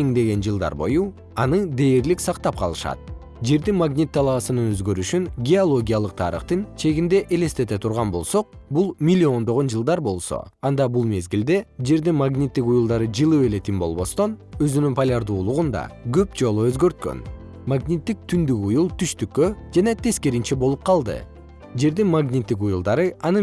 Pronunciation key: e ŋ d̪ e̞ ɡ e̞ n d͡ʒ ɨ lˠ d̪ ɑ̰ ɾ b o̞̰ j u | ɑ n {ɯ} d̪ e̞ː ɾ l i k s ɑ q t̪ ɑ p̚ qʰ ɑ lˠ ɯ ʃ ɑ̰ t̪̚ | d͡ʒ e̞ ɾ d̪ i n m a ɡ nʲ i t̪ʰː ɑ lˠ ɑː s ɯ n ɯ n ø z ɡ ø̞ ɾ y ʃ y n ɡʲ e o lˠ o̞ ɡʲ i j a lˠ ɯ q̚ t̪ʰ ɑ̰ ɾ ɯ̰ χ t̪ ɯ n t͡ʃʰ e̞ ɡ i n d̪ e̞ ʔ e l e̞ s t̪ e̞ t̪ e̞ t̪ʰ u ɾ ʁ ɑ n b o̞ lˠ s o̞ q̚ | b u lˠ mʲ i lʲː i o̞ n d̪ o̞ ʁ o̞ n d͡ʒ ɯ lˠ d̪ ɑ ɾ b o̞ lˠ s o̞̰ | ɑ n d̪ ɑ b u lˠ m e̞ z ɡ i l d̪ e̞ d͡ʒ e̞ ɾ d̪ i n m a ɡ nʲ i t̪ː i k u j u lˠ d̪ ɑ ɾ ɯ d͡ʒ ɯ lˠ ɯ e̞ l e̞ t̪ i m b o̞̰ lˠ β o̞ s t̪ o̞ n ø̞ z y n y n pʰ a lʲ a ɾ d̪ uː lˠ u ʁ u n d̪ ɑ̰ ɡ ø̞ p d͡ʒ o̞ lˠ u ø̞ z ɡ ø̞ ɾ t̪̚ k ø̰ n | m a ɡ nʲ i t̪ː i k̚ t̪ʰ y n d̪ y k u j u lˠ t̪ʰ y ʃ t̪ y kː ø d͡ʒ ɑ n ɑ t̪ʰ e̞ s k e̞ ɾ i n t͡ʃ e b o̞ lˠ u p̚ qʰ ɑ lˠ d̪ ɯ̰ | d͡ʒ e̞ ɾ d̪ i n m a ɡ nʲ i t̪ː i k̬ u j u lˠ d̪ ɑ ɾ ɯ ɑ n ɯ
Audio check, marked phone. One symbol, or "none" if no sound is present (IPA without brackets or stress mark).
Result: ɯ